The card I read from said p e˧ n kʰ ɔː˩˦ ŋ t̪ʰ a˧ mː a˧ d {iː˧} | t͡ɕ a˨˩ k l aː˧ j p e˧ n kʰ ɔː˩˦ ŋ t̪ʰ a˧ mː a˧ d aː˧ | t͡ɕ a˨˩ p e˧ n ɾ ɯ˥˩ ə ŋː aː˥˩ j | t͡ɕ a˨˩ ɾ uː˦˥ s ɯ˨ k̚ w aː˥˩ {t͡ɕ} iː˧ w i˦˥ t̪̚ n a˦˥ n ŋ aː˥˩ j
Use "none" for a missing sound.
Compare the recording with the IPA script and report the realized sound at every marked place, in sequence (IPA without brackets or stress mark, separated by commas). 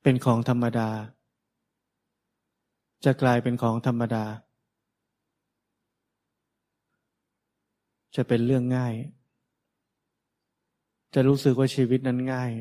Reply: aː˧, t͡ɕʰ